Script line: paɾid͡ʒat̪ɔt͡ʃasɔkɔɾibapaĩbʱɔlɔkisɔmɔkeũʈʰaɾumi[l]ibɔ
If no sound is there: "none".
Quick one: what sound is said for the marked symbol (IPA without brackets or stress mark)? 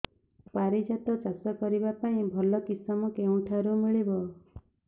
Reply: ɭ